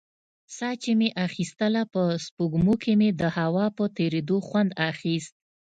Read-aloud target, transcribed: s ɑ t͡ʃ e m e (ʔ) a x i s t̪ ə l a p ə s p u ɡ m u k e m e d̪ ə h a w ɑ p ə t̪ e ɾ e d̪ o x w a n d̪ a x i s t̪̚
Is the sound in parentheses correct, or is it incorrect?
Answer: correct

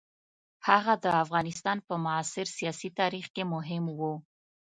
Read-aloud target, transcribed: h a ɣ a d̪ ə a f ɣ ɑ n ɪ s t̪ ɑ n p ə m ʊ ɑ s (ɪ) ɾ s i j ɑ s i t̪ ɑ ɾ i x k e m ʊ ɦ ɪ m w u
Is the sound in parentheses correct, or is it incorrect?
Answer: correct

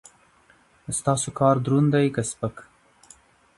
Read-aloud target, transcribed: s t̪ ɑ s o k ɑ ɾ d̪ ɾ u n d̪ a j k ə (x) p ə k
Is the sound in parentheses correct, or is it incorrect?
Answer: incorrect: s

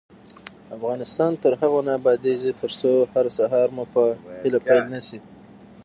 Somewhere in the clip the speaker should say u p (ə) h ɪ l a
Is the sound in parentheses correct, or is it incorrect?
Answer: correct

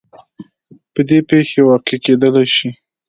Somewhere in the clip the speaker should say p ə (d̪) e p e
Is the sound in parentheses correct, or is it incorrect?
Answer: correct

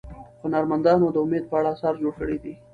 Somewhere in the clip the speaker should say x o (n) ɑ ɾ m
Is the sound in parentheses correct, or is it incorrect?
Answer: correct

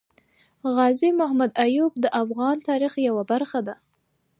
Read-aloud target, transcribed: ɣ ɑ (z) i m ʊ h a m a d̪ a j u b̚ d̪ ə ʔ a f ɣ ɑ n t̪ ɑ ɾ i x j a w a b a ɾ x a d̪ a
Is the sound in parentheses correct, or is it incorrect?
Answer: correct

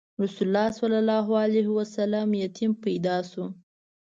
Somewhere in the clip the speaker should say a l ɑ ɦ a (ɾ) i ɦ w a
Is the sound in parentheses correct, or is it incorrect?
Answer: incorrect: l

